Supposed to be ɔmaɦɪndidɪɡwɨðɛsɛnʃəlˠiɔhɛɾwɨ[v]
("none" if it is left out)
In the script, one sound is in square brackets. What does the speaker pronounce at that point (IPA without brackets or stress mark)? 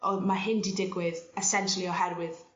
ð